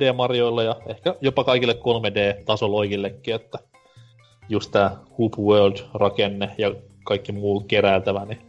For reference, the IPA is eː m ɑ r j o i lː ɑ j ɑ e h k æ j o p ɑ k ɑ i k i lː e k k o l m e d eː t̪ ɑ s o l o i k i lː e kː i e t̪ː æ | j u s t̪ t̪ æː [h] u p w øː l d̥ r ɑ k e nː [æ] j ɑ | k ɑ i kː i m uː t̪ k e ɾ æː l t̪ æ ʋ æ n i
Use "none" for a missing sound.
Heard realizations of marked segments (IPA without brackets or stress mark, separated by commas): h, e